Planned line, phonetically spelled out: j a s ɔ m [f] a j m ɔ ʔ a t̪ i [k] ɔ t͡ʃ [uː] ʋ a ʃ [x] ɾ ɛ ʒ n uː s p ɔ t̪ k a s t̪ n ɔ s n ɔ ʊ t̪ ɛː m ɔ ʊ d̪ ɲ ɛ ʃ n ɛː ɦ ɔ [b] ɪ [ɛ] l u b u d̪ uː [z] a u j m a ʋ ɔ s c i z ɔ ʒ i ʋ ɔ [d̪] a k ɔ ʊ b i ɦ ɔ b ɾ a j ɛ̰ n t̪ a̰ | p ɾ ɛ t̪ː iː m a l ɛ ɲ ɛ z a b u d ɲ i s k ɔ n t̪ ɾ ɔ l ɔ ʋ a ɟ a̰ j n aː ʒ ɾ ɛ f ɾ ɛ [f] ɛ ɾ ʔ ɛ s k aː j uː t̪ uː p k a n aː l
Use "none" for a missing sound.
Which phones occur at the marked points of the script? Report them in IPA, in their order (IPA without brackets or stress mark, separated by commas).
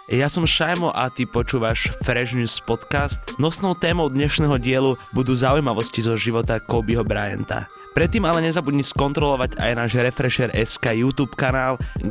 ʃ, p, uː, f, ɟ, ɛ, z, t̪, ʃ